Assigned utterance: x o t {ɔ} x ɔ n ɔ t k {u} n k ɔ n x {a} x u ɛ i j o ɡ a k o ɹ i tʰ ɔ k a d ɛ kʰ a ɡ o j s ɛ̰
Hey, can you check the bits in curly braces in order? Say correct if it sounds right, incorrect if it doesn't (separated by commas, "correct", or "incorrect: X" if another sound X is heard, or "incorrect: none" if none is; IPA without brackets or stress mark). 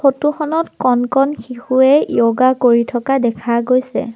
incorrect: u, incorrect: ɔ, incorrect: i